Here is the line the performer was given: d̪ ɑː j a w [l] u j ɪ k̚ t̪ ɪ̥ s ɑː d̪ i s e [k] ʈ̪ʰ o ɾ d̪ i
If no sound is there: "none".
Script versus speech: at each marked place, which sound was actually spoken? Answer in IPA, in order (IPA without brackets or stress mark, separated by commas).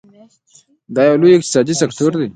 l, k